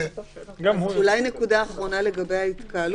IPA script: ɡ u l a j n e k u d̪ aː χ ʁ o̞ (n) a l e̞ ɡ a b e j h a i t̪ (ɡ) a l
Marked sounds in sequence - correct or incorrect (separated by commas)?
correct, incorrect